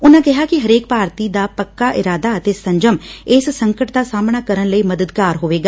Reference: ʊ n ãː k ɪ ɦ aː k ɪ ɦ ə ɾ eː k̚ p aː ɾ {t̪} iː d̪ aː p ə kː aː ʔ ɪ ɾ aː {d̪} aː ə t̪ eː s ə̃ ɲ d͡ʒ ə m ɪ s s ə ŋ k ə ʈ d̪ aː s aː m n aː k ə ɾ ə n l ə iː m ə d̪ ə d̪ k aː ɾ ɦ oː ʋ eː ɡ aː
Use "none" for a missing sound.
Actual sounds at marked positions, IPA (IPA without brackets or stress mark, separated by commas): t̪, d̪